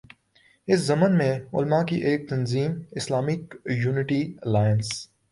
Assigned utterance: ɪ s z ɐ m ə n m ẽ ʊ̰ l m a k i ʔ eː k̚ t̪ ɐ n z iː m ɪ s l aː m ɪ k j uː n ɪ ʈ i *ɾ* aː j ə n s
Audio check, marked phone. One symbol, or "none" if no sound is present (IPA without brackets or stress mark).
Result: l